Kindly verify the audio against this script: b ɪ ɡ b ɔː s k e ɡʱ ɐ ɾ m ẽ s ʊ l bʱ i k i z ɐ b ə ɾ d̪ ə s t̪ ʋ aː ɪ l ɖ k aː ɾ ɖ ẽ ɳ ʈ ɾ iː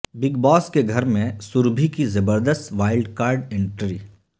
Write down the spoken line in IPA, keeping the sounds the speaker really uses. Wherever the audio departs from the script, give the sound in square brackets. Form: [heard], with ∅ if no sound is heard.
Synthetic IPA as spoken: b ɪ ɡ b ɔː s k e ɡʱ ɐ ɾ m ẽ s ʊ [ɾ] bʱ i k i z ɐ b ə ɾ d̪ ə s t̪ ʋ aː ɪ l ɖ k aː ɾ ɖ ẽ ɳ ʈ ɾ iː